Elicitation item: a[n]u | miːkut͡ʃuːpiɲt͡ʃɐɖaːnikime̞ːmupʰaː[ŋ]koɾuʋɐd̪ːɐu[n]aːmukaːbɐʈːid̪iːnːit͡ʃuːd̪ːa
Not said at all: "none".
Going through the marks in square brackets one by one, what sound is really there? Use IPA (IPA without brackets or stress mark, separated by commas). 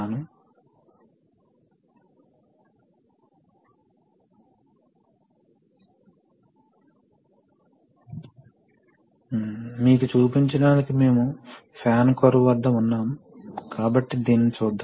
n, n, nː